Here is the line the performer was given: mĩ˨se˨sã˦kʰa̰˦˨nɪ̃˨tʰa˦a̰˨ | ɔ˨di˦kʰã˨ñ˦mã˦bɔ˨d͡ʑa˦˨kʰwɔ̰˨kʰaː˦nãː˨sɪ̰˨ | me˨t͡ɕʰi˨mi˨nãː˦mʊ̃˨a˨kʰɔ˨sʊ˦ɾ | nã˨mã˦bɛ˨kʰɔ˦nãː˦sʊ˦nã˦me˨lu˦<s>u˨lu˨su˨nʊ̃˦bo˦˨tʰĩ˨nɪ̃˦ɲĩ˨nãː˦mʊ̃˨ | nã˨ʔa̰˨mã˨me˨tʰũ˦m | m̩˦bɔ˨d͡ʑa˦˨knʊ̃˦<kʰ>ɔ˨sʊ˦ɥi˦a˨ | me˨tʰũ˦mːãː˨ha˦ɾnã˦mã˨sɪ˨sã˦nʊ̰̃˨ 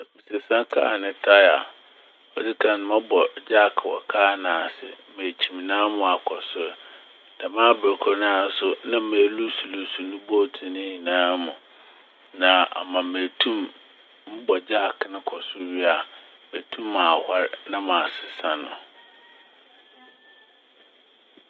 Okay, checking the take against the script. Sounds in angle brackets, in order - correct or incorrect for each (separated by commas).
correct, correct